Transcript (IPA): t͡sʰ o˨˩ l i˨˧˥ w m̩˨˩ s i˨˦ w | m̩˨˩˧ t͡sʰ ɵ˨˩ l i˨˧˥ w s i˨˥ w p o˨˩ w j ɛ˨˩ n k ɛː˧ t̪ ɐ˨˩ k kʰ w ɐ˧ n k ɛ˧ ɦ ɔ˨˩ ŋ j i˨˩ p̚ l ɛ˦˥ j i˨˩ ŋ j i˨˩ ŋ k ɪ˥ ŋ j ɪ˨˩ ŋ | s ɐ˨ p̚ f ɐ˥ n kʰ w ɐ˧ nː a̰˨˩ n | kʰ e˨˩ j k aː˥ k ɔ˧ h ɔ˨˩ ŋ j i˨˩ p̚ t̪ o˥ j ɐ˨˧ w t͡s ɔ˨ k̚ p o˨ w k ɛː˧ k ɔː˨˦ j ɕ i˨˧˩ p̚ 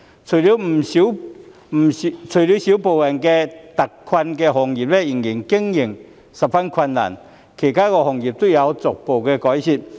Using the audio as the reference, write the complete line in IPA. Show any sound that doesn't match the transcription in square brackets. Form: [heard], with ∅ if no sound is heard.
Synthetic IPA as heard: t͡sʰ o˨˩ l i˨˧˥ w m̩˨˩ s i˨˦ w | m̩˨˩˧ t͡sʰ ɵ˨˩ l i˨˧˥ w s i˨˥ w p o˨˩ w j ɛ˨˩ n k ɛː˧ t̪ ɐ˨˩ k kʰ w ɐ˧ n k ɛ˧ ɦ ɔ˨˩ ŋ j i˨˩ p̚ l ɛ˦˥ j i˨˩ ŋ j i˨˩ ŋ k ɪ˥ ŋ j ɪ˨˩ ŋ | s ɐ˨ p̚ f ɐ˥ n kʰ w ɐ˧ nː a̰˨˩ n | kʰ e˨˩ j k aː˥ k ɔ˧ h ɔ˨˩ ŋ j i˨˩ p̚ t̪ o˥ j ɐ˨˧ w t͡s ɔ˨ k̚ p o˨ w k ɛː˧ k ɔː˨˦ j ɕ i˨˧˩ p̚